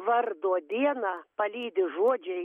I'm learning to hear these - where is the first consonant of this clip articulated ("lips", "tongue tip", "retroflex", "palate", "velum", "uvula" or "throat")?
lips